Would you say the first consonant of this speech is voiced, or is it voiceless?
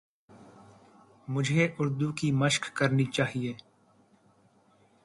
voiced